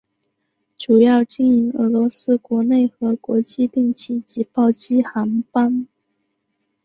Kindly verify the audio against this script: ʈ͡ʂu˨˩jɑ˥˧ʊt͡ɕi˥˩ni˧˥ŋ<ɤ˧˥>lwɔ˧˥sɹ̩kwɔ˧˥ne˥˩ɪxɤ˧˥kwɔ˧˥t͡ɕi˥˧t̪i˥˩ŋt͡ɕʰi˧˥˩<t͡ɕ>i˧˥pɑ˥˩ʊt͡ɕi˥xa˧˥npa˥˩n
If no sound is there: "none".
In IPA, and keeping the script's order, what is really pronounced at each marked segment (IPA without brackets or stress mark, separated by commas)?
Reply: ɤ˧˥, t͡ɕ